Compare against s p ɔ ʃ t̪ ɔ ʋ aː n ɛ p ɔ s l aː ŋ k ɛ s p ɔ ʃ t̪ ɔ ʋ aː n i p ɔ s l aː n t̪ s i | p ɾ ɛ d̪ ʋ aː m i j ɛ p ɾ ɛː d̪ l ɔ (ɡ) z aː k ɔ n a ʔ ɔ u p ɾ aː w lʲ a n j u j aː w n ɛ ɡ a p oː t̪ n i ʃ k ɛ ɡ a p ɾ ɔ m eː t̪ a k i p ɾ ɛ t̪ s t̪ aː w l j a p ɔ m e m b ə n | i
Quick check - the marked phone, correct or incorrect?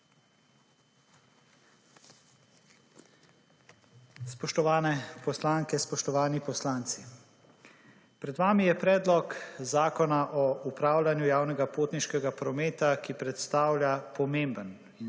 incorrect